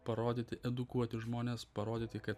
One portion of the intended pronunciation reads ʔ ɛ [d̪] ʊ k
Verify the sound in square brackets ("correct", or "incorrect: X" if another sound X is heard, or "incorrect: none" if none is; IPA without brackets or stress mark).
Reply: correct